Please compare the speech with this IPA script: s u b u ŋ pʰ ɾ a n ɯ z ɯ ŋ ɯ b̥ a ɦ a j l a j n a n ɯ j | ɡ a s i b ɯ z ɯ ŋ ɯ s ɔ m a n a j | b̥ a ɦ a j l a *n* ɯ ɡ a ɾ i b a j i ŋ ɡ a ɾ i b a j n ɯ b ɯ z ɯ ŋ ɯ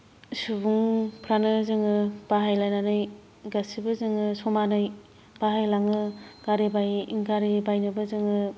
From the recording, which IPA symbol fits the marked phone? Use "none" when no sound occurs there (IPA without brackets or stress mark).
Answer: ŋ